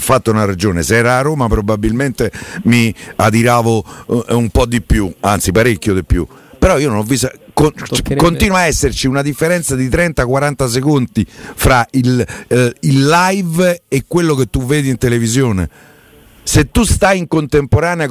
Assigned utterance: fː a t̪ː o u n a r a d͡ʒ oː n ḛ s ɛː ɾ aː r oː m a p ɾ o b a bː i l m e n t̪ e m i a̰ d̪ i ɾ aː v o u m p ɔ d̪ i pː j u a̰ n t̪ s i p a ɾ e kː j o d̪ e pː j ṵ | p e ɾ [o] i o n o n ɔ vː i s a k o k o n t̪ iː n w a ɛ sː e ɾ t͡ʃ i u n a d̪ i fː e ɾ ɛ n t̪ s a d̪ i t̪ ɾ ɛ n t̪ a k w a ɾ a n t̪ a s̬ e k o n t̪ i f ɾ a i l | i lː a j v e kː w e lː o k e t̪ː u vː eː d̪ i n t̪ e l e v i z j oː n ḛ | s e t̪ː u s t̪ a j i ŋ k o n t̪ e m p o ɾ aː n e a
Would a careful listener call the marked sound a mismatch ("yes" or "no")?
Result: yes